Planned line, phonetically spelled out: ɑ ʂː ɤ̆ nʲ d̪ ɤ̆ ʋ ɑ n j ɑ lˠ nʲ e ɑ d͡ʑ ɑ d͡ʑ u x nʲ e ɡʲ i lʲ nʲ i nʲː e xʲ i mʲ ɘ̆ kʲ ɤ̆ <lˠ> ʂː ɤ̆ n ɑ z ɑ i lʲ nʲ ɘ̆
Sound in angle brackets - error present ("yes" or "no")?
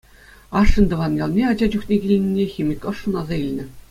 yes